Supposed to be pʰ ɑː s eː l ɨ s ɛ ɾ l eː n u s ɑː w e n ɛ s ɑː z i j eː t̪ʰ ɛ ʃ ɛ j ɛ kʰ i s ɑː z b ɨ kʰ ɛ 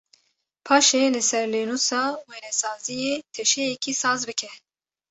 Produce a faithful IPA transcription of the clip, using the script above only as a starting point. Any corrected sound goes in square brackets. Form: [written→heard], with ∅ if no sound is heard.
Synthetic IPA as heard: pʰ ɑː [s→ʃ] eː l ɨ s ɛ ɾ l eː n u s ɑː w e n ɛ s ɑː z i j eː t̪ʰ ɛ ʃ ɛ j ɛ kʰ i s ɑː z b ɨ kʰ ɛ